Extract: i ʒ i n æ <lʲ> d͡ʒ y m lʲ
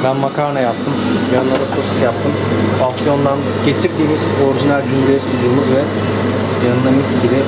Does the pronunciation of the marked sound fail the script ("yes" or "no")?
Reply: no